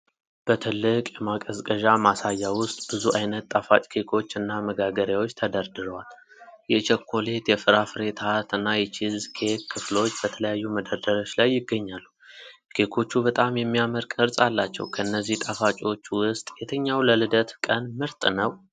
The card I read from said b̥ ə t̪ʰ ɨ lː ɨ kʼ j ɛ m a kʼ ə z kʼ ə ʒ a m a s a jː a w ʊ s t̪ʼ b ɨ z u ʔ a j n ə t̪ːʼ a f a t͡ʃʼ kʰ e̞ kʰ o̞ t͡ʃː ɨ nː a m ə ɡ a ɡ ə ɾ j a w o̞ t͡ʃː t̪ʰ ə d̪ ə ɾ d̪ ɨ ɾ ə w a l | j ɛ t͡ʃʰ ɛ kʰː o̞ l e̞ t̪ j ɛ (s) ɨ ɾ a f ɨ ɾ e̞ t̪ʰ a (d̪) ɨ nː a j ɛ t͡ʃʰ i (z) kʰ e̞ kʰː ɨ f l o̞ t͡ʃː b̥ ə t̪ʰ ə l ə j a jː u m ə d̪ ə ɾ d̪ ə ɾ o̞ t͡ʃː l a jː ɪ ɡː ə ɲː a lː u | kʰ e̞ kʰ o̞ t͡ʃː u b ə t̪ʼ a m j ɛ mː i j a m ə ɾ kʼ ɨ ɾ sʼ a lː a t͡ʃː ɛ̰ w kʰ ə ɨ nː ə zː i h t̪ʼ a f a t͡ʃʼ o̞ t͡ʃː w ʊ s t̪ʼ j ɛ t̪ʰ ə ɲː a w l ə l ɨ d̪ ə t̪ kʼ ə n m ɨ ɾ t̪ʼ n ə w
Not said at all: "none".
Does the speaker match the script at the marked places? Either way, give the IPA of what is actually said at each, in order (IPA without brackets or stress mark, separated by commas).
f, t̪, z